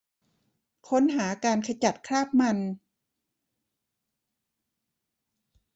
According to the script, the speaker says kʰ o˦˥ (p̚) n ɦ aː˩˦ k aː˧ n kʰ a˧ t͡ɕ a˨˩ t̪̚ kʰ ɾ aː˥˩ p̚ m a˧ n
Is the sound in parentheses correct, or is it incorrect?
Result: incorrect: none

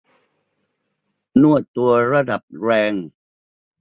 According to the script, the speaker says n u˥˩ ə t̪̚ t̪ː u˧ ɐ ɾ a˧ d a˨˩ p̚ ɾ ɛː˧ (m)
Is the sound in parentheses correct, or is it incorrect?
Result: incorrect: ŋ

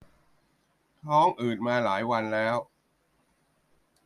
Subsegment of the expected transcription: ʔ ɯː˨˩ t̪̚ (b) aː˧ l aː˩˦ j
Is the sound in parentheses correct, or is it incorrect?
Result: incorrect: m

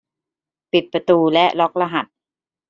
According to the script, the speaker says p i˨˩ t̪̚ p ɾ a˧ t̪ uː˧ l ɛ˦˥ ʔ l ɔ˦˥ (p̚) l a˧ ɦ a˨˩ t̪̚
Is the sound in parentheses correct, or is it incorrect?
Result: incorrect: k̚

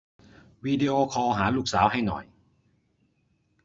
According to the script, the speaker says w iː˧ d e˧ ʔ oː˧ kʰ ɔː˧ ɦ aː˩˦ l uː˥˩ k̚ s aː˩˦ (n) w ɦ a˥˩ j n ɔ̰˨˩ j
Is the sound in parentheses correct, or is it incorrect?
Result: incorrect: none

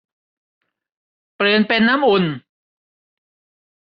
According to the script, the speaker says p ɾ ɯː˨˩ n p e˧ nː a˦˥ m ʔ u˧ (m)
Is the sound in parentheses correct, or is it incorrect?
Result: incorrect: n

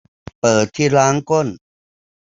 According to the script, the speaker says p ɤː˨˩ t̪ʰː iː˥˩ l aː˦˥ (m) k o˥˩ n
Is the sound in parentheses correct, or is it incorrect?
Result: incorrect: ŋ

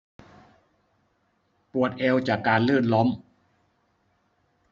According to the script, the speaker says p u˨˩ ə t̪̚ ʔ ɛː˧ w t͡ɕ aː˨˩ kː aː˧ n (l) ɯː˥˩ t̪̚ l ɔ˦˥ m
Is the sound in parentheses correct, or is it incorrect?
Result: correct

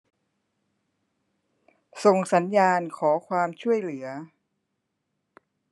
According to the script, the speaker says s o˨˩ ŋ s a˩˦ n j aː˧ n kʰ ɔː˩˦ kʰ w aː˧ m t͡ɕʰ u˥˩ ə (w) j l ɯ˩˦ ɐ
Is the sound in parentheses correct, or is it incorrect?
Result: incorrect: none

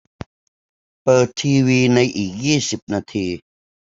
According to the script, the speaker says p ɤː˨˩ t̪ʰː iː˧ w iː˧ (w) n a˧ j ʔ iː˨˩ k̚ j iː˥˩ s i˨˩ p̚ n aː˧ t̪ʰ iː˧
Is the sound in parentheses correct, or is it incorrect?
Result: incorrect: none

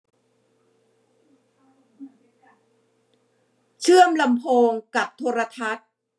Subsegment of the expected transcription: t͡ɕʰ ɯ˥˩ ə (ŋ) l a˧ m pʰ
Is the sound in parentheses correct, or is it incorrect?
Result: incorrect: m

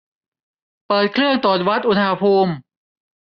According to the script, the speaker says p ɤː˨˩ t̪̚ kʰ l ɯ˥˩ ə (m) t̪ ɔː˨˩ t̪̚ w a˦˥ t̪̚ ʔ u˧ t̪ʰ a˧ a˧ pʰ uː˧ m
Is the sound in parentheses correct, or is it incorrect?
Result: incorrect: ŋ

